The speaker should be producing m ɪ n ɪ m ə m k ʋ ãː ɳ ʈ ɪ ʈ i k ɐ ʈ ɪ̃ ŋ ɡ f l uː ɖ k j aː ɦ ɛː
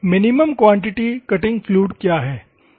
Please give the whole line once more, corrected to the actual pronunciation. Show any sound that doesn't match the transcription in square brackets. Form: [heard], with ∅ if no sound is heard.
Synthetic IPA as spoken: m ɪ n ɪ m ə m k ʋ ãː ɳ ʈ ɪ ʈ i k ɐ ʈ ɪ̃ ŋ ɡ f l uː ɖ k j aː ɦ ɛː

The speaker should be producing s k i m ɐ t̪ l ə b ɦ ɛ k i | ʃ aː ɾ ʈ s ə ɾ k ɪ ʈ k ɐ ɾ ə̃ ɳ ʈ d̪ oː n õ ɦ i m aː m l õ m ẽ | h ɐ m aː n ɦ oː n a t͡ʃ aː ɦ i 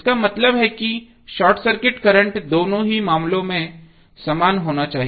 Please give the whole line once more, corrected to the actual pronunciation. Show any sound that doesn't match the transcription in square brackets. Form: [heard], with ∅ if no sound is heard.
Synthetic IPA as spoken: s k [a] m ɐ t̪ l ə b ɦ ɛ k i | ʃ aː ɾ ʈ s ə ɾ k ɪ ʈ k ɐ ɾ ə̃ ɳ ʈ d̪ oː n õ ɦ i m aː m l õ m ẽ | [s] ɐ m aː n ɦ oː n a t͡ʃ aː ɦ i

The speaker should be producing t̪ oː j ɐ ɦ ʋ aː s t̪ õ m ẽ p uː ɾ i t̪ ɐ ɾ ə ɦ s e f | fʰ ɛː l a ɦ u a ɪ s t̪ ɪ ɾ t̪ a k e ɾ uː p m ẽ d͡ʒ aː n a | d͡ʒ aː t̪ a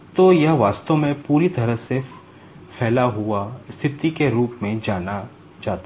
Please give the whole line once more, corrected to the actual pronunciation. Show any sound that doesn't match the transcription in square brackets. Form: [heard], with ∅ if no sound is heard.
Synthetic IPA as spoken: t̪ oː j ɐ ɦ ʋ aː s t̪ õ m ẽ p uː ɾ i t̪ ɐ ɾ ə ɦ s e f | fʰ ɛː l a ɦ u a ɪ s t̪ ɪ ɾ t̪ [i] k e ɾ uː p m ẽ d͡ʒ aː n a | d͡ʒ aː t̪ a

